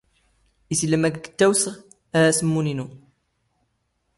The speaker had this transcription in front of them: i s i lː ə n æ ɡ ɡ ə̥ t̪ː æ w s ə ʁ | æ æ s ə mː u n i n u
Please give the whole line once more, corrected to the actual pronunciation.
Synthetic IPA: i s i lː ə m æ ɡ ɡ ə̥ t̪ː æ w s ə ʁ | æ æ s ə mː u n i n u